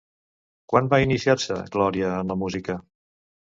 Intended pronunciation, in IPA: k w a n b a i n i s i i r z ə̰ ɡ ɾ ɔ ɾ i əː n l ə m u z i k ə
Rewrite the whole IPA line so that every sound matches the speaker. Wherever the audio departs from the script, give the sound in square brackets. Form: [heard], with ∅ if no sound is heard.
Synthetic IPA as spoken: k w a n b a i n i s i [a] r [s] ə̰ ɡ [l] ɔ ɾ i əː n l ə m u z i k ə